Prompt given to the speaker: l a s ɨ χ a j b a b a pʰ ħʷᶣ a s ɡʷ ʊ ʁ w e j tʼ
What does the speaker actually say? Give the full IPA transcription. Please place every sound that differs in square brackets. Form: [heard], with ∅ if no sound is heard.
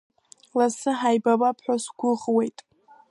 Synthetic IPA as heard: l a s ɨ [ħ] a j b a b a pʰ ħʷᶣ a s ɡʷ ʊ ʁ w e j tʼ